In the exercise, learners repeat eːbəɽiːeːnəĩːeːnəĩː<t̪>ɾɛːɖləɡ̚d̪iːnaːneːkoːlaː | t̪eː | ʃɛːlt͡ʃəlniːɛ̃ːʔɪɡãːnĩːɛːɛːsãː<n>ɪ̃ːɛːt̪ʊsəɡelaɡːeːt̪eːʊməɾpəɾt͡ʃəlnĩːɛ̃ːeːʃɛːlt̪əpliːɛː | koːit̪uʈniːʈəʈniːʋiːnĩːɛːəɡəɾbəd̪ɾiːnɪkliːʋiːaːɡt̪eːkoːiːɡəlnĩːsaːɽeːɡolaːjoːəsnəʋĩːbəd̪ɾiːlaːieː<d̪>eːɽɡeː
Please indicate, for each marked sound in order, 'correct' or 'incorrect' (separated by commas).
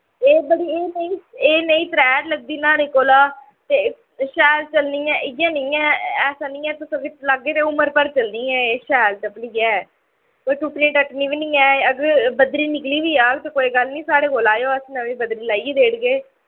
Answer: correct, correct, correct